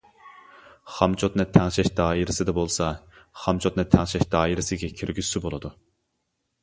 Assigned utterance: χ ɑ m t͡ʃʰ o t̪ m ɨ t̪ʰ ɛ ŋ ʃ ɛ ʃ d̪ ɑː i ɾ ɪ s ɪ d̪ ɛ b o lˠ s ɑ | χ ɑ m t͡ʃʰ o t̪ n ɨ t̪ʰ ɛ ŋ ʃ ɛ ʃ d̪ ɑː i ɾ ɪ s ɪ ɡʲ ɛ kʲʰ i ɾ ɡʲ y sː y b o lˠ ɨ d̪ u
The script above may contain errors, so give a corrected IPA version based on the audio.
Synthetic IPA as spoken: χ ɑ m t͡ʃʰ o t̪ n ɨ t̪ʰ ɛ ŋ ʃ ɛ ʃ d̪ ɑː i ɾ ɪ s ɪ d̪ ɛ b o lˠ s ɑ | χ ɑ m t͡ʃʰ o t̪ n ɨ t̪ʰ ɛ ŋ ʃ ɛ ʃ d̪ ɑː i ɾ ɪ s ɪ ɡʲ ɛ kʲʰ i ɾ ɡʲ y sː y b o lˠ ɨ d̪ u